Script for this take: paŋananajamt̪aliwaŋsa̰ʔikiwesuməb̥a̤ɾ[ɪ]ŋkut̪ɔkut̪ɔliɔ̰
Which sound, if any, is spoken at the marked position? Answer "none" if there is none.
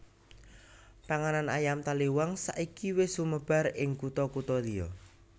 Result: ɪ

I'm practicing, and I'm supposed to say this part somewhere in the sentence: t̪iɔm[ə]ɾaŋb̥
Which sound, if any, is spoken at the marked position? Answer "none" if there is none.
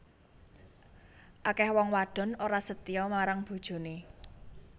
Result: a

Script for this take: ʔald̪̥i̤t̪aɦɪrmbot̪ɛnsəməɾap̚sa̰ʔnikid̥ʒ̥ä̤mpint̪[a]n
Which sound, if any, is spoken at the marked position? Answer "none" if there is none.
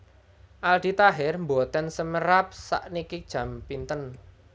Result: ə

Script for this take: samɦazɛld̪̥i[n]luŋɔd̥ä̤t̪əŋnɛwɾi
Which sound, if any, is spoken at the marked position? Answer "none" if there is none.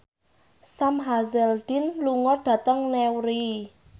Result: n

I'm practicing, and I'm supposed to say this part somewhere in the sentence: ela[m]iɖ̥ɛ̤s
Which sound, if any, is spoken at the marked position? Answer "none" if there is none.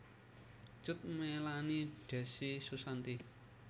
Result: n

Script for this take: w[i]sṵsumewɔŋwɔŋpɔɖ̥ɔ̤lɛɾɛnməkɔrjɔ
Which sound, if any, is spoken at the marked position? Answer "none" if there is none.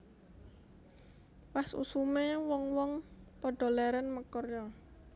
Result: a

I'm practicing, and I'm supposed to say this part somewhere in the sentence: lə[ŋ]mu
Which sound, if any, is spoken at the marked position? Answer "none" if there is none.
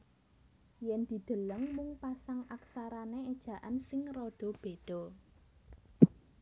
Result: ŋ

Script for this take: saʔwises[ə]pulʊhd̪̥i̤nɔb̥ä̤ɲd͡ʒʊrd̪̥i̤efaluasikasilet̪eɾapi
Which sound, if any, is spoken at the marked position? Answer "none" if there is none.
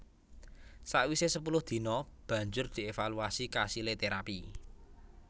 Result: ə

